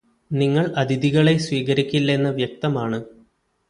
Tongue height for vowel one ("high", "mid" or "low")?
high